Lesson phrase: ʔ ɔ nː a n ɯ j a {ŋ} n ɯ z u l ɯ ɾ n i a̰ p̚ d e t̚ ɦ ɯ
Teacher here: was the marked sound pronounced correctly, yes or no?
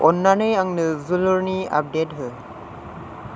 yes